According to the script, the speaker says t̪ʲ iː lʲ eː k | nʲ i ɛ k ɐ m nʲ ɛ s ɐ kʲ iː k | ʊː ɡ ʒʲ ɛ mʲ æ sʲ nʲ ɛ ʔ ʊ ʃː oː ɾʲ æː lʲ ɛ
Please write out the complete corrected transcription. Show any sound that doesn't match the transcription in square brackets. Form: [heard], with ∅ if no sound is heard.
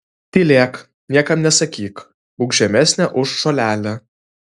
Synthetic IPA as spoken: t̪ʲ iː lʲ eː k | nʲ i ɛ k ɐ m nʲ ɛ s ɐ kʲ iː k | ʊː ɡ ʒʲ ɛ mʲ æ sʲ nʲ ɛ ʔ ʊ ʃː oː [lʲ] æː lʲ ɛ

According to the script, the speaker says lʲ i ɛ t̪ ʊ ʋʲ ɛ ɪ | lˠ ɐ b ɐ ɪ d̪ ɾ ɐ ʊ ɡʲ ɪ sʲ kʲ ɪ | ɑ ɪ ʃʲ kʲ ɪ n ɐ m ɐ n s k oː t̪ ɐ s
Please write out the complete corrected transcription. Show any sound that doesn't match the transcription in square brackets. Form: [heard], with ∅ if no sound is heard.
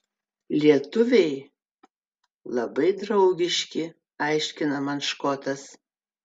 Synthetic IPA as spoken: lʲ i ɛ t̪ ʊ ʋʲ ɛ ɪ | lˠ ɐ b ɐ ɪ d̪ ɾ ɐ ʊ ɡʲ ɪ [ʃʲ] kʲ ɪ | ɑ ɪ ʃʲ kʲ ɪ n ɐ m ɐ n [ʃ] k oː t̪ ɐ s

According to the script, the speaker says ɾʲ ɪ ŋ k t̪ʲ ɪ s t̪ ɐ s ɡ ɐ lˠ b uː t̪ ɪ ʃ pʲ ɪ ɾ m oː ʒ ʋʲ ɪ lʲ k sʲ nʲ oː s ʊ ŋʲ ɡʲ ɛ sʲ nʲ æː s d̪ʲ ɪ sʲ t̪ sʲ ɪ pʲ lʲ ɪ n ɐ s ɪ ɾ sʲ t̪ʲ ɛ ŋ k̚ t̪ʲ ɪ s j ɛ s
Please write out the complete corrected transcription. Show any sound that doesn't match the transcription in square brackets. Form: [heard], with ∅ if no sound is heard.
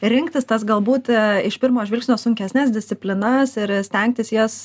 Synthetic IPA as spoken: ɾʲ ɪ ŋ k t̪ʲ ɪ s t̪ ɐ s ɡ ɐ lˠ b uː t̪ ɪ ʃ pʲ ɪ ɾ m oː ʒ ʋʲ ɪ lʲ k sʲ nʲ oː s ʊ ŋʲ [kʲ] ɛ sʲ nʲ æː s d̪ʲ ɪ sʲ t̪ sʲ ɪ pʲ lʲ ɪ n ɐ s ɪ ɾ sʲ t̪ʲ ɛ ŋ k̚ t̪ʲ ɪ s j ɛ s

